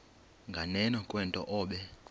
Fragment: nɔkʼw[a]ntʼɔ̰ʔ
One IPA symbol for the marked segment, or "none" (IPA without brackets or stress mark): ɛ